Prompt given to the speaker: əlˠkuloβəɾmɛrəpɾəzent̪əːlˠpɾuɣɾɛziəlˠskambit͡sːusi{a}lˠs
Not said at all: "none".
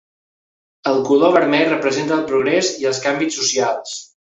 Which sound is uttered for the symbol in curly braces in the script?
a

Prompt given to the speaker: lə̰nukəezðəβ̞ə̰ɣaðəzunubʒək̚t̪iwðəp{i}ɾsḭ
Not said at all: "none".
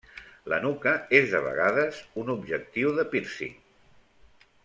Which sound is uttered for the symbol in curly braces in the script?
i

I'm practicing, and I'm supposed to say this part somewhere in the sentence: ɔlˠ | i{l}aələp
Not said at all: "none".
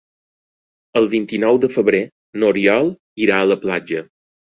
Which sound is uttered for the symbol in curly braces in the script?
ɾ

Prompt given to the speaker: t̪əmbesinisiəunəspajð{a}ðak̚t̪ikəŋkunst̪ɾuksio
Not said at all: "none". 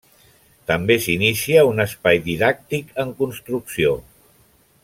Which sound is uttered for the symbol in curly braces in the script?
i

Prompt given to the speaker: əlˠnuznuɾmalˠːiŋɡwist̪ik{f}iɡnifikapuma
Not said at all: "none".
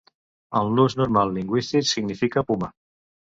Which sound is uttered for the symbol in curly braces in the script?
s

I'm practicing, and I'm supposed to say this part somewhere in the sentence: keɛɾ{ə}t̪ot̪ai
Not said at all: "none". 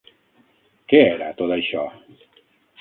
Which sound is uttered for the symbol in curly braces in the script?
a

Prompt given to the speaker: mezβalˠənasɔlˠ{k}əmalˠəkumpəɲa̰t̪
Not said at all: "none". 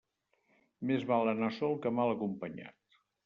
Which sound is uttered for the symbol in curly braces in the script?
k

